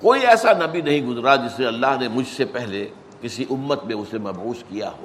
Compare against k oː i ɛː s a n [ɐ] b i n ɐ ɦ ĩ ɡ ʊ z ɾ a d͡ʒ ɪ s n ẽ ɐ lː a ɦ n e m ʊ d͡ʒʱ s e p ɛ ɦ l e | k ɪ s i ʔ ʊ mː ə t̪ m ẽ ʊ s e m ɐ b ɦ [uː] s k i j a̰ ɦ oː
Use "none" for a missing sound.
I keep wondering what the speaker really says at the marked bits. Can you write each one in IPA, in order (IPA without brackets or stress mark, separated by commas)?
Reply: ɐ, uː